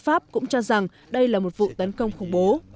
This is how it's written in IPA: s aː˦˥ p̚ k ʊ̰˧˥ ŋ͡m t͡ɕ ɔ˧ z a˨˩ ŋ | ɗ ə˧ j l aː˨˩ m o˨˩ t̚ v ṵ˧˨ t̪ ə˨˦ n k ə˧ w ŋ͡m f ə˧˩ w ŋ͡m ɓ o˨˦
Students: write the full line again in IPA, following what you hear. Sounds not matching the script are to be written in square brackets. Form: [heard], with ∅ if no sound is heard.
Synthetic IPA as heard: [f] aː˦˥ p̚ k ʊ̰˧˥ ŋ͡m t͡ɕ ɔ˧ z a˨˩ ŋ | ɗ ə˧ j l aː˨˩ m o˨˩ t̚ v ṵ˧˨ t̪ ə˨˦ n k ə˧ w ŋ͡m [x] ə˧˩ w ŋ͡m ɓ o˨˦